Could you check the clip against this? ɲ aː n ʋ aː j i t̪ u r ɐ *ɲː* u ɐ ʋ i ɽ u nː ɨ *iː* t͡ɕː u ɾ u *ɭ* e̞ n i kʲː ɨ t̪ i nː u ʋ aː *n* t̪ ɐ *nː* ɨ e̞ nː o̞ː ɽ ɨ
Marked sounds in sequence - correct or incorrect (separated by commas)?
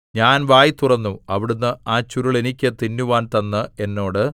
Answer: incorrect, incorrect, correct, correct, correct